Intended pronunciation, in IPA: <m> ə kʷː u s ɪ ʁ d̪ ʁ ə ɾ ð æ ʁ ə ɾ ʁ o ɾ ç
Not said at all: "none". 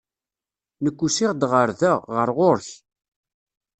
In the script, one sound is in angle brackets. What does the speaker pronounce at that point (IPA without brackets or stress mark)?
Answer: n